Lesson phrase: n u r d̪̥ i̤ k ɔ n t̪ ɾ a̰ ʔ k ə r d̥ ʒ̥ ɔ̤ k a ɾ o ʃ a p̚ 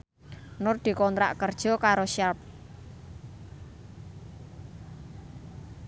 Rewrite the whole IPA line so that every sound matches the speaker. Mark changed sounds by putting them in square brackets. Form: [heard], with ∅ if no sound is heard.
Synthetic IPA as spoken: n [ʊ] r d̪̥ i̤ k ɔ n t̪ ɾ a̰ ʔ k ə r d̥ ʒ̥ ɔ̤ k a ɾ o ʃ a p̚